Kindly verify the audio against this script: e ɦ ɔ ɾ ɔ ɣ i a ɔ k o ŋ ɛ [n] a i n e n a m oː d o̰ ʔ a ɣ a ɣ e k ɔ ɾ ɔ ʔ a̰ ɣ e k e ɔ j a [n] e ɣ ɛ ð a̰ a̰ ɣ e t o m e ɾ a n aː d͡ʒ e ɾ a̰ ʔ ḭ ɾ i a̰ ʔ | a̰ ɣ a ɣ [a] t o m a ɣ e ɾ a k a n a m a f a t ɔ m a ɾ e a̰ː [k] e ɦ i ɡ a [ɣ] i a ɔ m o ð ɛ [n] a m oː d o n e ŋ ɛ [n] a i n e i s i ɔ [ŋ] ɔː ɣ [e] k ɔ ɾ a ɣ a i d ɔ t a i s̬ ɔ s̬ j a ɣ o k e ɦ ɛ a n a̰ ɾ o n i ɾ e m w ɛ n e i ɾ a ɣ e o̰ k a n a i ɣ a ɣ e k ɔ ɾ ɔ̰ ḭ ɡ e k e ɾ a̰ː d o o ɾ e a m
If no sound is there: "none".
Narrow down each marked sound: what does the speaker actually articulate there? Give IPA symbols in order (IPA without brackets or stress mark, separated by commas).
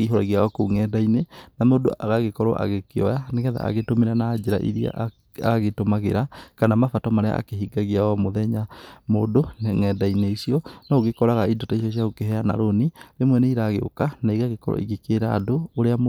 d, n, e, k, ɣ, ɲ, d, n, e